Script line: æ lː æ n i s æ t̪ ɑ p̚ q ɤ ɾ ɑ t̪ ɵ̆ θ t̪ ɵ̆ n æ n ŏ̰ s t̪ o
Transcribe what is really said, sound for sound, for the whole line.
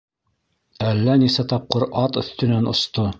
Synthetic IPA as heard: æ lː æ n i s æ t̪ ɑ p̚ q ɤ ɾ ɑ t̪ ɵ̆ θ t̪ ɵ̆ n æ n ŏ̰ s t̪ o